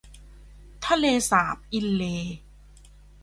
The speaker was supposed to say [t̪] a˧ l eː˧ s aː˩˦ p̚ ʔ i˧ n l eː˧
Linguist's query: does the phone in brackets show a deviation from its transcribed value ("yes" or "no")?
yes